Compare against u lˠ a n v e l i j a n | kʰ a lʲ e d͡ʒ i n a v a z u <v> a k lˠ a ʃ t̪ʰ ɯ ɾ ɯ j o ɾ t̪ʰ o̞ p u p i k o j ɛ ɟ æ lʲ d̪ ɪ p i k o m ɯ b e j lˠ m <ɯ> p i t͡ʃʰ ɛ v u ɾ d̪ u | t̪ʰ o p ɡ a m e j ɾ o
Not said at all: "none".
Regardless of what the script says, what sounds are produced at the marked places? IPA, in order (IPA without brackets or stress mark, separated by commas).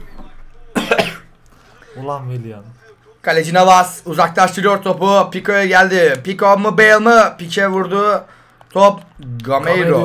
z, ɯ